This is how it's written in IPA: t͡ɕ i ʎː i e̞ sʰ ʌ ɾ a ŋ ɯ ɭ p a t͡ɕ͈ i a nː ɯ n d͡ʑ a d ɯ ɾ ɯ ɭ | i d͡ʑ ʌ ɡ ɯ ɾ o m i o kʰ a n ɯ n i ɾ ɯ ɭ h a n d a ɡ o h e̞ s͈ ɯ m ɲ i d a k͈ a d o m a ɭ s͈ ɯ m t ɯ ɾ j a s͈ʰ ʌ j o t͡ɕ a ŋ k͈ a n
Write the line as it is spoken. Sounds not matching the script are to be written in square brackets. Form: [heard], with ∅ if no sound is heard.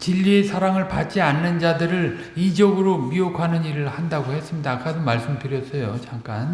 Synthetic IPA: t͡ɕ i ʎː i e̞ sʰ [a] ɾ a ŋ ɯ ɭ p a t͡ɕ͈ i a nː ɯ n d͡ʑ a d ɯ ɾ ɯ ɭ | i d͡ʑ ʌ ɡ ɯ ɾ o m i o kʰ a n ɯ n i ɾ ɯ ɭ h a n d a ɡ o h e̞ s͈ ɯ m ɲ i d a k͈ a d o m a ɭ s͈ ɯ m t ɯ ɾ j [ʌ] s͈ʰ ʌ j o t͡ɕ a ŋ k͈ a n